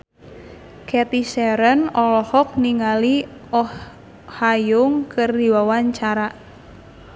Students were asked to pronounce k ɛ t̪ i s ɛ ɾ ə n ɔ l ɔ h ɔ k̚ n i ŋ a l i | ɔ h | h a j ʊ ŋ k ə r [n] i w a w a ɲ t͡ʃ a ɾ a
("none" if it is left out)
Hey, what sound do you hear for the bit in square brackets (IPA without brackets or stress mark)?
d